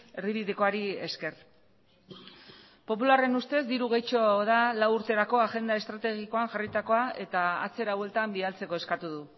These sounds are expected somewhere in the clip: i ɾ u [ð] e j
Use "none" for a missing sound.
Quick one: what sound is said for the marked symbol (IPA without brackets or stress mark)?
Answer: ɣ